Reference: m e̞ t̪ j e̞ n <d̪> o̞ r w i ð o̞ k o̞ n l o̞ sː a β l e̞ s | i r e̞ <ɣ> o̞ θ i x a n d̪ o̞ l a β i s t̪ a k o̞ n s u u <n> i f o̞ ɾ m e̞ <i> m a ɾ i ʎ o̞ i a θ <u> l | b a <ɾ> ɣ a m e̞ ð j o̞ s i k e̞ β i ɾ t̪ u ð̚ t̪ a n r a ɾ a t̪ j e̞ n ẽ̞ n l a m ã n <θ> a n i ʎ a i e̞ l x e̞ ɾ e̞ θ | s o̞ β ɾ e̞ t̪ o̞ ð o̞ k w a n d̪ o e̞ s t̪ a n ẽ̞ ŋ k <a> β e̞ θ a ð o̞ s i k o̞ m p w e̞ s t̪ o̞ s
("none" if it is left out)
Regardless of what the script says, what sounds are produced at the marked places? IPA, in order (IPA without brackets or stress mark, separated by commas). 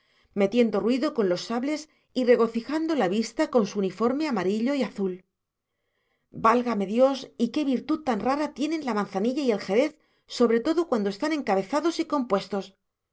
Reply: d̪, ɣ, n, a, u, l, θ, a